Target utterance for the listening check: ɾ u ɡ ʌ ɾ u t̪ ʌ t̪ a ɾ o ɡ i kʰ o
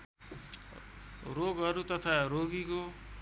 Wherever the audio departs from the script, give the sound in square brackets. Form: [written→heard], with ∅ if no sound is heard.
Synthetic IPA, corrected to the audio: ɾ [u→o] ɡ ʌ ɾ u t̪ ʌ [t̪→t̪ʰ] a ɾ o ɡ i [kʰ→k] o